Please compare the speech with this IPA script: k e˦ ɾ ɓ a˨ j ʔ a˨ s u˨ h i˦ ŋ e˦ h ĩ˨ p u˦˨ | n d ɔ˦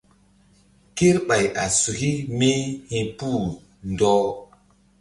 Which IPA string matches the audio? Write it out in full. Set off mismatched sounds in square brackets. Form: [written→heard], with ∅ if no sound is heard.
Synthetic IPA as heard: k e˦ ɾ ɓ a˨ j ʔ a˨ s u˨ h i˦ [ŋ→m] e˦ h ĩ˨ p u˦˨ | n d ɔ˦